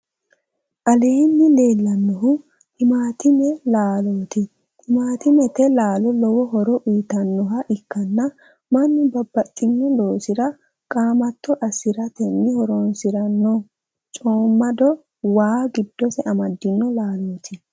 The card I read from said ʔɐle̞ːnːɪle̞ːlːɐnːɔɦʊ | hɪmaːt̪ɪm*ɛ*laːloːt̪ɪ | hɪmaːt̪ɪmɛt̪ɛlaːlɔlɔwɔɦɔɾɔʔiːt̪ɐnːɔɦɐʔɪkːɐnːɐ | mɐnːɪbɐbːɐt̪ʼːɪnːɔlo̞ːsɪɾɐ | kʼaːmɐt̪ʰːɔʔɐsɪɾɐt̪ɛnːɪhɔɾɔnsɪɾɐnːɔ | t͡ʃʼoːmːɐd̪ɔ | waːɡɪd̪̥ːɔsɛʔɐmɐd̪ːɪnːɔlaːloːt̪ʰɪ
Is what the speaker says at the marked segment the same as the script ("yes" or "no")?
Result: yes